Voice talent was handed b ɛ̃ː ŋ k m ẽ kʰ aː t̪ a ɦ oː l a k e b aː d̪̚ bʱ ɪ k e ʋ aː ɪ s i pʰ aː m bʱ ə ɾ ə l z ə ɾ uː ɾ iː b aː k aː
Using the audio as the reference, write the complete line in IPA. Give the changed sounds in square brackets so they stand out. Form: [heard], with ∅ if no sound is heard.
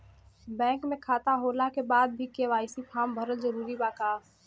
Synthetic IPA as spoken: b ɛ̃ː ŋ k m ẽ kʰ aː t̪ a ɦ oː l a k e b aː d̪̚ bʱ [i] k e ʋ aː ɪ s i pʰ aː m bʱ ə ɾ ə l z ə ɾ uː ɾ [i] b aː k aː

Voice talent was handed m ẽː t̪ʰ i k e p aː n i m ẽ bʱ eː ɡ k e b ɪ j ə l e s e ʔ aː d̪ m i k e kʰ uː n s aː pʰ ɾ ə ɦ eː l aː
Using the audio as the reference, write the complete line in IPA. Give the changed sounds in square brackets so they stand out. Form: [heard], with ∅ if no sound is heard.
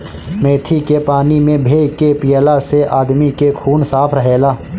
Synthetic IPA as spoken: m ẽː t̪ʰ i k e p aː n i m ẽ bʱ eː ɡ k e [p] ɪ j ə l [a] s e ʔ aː d̪ m i k e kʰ uː n s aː pʰ ɾ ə ɦ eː l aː

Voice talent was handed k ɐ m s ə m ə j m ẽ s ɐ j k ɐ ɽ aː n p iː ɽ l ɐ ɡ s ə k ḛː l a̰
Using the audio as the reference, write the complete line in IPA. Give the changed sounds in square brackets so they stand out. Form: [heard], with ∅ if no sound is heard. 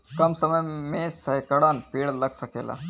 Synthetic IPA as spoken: k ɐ m s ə m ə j m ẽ s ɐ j k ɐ ɽ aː n p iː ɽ l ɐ ɡ s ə k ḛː l a̰

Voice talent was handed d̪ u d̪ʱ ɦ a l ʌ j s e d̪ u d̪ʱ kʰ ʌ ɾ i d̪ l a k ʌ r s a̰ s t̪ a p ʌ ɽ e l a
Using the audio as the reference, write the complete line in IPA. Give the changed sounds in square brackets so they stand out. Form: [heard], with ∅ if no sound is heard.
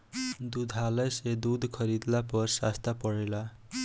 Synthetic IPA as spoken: d̪ u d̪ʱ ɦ a l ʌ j s e d̪ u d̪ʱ kʰ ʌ ɾ i d̪ l a [p] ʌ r s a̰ s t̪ a p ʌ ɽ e l a

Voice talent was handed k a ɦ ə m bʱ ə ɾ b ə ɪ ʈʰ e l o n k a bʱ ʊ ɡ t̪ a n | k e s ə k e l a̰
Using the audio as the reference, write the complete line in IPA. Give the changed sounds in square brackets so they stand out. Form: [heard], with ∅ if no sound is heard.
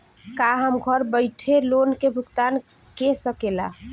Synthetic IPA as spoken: k a ɦ ə m [ɡʱ] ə ɾ b ə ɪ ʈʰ e l o n k [e] bʱ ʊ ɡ t̪ a n | k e s ə k e l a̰

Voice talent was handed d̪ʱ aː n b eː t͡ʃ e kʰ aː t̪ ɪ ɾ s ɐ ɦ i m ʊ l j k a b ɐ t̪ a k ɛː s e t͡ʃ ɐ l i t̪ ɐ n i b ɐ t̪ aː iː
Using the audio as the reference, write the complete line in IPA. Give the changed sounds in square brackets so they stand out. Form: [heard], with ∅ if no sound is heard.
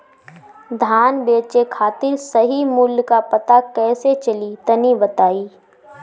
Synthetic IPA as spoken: d̪ʱ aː n b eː t͡ʃ e kʰ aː t̪ ɪ ɾ s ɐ ɦ i m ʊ l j k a [p] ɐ t̪ a k ɛː s e t͡ʃ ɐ l i t̪ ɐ n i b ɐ t̪ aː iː

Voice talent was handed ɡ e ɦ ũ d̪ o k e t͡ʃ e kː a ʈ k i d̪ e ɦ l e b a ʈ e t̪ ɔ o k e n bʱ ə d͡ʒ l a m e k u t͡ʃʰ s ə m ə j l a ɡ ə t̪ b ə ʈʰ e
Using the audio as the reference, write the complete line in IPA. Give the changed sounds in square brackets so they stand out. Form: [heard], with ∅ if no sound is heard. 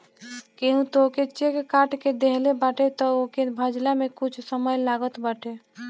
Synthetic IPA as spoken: [k] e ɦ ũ [t̪] o k e t͡ʃ e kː a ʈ k [e] d̪ e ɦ l e b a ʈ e t̪ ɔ o k e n bʱ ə d͡ʒ l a m e k u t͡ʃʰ s ə m ə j l a ɡ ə t̪ b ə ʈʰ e

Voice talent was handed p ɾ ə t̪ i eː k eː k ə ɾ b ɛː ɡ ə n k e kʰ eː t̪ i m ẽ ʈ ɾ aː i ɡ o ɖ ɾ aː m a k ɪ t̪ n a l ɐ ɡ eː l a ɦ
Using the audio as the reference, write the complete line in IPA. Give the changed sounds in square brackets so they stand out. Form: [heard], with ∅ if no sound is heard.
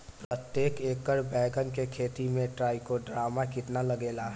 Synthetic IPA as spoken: p ɾ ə t̪ [j] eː k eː k ə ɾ b ɛː ɡ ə n k e kʰ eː t̪ i m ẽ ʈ ɾ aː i [k] o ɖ ɾ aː m a k ɪ t̪ n a l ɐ ɡ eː l a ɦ

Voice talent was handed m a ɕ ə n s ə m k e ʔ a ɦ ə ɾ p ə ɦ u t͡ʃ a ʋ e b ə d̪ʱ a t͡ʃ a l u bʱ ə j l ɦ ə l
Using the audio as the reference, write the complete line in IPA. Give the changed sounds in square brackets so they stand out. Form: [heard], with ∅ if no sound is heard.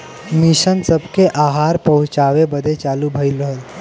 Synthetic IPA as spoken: m [i] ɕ ə n s ə [b] k e ʔ a ɦ [a] ɾ p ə ɦ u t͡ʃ a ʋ e b ə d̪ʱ [e] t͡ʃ a l u bʱ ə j l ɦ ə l

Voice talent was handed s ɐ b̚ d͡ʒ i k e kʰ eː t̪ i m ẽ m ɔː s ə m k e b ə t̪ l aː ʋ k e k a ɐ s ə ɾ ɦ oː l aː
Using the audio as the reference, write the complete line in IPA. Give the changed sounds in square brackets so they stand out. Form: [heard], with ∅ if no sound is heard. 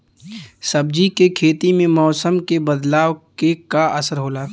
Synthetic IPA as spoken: s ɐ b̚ d͡ʒ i k e kʰ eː t̪ i m ẽ m ɔː s ə m k e b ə [d̪] l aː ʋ k e k a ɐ s ə ɾ ɦ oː l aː

